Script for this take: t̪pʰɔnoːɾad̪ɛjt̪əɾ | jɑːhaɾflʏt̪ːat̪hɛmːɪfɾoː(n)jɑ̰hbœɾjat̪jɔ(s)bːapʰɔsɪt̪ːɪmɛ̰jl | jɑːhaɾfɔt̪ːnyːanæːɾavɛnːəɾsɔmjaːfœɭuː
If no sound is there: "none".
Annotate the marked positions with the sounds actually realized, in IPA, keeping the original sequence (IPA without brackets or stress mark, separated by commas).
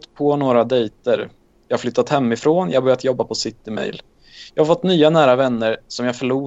n, none